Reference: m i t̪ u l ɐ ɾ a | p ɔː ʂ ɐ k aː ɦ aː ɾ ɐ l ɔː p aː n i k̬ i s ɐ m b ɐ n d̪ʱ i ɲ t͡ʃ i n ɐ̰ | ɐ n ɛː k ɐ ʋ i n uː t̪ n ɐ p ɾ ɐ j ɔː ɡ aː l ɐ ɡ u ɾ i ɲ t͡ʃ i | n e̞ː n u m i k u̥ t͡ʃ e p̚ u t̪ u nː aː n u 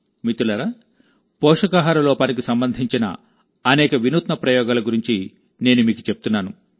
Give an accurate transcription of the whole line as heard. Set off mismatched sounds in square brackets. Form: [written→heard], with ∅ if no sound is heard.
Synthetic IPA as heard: m i t̪ u l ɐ ɾ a | p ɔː ʂ ɐ k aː ɦ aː ɾ ɐ l ɔː p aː n i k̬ i s ɐ m b ɐ n d̪ʱ i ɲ t͡ʃ i n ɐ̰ | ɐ n ɛː k ɐ ʋ i n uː t̪ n ɐ p ɾ ɐ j ɔː ɡ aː l ɐ ɡ u ɾ i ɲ t͡ʃ i | n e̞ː n u m [i→iː] k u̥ t͡ʃ e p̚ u t̪ u nː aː n u